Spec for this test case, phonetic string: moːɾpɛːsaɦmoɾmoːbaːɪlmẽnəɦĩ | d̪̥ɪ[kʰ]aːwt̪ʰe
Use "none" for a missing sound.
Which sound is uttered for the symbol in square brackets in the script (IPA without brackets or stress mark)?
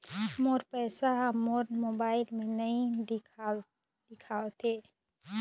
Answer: kʰ